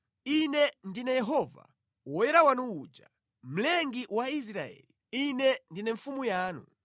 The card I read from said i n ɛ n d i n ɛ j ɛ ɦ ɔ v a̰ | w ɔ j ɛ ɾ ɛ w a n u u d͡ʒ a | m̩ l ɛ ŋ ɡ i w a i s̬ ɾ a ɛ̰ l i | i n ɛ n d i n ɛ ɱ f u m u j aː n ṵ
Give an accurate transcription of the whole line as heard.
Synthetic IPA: i n ɛ n d i n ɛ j ɛ ɦ ɔ v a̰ | w ɔ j ɛ ɾ a w a n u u d͡ʒ a | m̩ l ɛ ŋ ɡ i w a i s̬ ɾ a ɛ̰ l i | i n ɛ n d i n ɛ ɱ f u m u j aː n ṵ